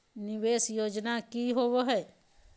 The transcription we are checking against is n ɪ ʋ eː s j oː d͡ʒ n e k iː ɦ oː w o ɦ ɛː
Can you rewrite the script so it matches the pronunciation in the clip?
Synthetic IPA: n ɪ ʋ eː s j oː d͡ʒ n a k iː ɦ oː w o ɦ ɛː